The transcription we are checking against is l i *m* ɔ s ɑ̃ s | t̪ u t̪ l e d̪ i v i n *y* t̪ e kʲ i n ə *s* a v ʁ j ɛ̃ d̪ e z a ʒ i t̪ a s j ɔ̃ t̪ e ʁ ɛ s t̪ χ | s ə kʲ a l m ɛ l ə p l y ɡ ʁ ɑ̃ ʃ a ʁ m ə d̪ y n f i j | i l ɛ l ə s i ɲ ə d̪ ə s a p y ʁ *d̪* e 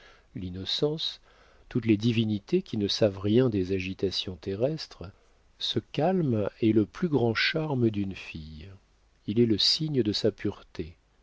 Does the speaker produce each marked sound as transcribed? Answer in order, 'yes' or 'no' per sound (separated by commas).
no, no, yes, no